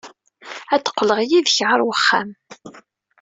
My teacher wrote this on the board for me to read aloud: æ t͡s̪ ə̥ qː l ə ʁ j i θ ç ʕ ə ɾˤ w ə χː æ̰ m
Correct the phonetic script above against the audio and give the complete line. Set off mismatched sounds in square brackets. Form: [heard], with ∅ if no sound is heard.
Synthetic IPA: æ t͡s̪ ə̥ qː l ə ʁ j i [ð] ç ʕ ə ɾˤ w ə χː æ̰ m